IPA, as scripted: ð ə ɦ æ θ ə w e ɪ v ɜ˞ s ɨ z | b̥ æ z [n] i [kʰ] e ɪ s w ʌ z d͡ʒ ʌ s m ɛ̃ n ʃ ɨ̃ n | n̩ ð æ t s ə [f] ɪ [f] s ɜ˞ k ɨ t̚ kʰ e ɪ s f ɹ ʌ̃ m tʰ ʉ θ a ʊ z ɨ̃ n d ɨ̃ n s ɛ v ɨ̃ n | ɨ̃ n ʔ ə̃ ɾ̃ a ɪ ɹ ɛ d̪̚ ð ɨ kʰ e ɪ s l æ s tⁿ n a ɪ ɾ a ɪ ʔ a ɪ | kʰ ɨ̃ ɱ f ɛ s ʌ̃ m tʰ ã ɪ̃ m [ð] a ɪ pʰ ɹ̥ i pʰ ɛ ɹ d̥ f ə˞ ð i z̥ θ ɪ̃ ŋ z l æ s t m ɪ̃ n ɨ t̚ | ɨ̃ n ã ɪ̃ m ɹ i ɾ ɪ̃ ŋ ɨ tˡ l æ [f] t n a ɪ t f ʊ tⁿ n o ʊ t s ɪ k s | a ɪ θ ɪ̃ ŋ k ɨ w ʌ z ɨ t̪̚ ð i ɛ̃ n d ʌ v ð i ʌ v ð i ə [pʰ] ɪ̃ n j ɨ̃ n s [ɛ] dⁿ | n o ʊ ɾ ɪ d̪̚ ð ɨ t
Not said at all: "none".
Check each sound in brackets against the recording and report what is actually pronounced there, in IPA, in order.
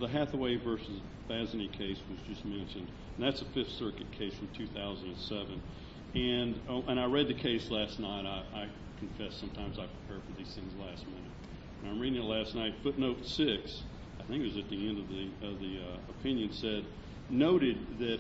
n, kʰ, f, f, z, s, pʰ, ɛ

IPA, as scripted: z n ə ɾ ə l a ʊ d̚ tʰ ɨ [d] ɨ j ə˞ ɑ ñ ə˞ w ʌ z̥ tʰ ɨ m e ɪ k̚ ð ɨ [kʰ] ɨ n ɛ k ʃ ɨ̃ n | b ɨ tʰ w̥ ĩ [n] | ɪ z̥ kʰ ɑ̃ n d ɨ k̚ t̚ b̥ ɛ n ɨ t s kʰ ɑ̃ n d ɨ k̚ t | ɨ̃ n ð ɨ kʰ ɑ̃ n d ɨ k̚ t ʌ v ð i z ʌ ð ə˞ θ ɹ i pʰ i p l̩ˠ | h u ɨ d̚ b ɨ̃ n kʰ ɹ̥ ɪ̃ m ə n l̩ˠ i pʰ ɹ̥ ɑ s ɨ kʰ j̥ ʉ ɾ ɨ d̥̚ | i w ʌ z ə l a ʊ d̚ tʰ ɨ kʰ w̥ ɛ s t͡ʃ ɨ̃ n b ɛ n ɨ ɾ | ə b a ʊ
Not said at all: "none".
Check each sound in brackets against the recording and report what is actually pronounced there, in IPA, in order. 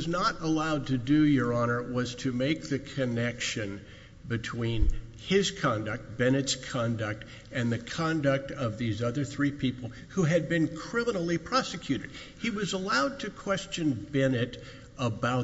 d, kʰ, n

